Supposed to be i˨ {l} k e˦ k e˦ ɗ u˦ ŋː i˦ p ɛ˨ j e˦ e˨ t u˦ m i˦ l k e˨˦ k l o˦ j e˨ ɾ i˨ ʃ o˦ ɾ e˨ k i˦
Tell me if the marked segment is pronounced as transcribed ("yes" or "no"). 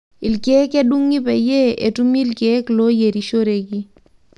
yes